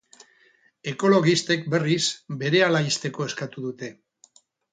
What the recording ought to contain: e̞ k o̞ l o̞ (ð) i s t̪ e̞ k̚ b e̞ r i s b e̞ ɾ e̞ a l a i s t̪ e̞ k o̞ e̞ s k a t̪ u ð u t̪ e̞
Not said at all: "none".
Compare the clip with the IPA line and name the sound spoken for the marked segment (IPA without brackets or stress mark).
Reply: ɣ